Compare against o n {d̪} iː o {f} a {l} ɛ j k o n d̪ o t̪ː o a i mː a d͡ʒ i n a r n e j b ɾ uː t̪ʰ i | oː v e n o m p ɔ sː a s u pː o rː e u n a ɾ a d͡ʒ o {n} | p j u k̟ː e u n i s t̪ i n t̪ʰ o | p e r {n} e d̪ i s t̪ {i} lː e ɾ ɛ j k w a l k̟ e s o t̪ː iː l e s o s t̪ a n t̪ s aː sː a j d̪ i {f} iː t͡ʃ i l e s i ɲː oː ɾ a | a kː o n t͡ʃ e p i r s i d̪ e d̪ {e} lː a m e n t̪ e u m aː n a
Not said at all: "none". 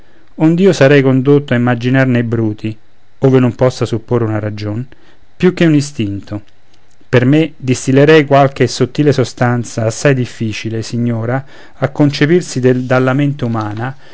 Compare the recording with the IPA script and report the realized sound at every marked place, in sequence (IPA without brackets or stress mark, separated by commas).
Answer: d̪, s, ɾ, n, m, i, fː, a